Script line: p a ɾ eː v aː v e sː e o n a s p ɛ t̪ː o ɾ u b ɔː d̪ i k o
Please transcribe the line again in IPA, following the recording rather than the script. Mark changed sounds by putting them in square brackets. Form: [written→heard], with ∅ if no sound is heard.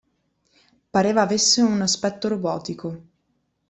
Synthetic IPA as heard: p a ɾ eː v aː v e sː e [o→u] n a s p ɛ t̪ː o ɾ [u→o] b ɔː [d̪→t̪] i k o